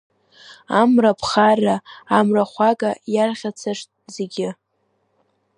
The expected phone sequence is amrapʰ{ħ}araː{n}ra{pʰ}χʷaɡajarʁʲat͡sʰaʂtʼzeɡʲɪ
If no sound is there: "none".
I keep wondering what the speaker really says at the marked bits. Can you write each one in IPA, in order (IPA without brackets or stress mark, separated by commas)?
χ, m, none